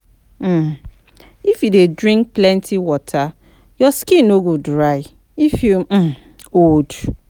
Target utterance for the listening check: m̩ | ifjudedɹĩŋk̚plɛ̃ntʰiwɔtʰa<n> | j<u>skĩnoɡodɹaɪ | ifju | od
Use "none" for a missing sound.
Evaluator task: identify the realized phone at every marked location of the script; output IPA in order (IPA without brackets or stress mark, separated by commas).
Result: none, ɔ